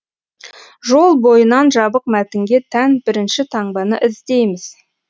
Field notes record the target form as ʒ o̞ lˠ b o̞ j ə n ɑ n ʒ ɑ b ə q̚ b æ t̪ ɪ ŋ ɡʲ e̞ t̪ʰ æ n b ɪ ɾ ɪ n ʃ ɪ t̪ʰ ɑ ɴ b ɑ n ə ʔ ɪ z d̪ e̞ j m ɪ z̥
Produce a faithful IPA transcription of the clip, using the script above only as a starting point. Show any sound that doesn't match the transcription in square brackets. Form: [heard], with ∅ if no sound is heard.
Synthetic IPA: ʒ o̞ lˠ b o̞ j ə n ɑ n ʒ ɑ b ə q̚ [m] æ t̪ ɪ ŋ ɡʲ e̞ t̪ʰ æ n b ɪ ɾ ɪ n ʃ ɪ t̪ʰ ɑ ɴ b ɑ n ə ʔ ɪ z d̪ e̞ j m ɪ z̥